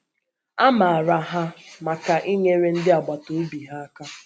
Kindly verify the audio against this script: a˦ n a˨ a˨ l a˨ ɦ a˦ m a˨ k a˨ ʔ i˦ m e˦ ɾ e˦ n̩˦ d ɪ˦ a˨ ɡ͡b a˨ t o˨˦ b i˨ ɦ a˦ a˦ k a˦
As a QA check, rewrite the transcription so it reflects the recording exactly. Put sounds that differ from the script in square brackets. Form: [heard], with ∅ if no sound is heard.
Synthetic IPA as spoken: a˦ [m] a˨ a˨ [ɾ] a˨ ɦ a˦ m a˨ k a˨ ʔ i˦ [ɲ] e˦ ɾ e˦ n̩˦ d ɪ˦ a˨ ɡ͡b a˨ t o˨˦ b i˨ ɦ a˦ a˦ k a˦